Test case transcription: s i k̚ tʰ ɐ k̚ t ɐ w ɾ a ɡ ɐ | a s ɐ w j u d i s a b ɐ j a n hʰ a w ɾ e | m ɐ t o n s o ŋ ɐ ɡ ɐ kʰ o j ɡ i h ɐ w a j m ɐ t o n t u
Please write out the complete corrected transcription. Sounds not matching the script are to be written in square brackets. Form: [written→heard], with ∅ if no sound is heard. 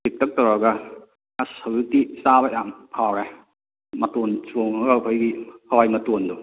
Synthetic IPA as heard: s i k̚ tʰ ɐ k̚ t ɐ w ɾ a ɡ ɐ | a s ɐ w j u [d→t] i s a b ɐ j a [n→m] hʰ a w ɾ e | m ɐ t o n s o ŋ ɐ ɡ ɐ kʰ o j ɡ i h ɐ w a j m ɐ t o n [t→d] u